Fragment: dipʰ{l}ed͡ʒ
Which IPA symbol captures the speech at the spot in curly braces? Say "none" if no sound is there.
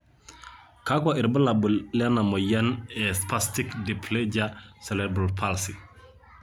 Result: l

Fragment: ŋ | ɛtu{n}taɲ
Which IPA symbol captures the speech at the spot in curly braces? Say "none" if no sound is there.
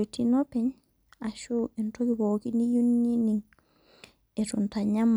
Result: n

